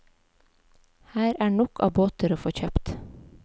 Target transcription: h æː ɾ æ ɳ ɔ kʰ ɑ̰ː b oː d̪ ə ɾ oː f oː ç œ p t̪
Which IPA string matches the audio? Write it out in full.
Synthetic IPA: h æː ɾ æː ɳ ɔ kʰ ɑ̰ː b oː t̪ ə ɾ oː f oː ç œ p t̪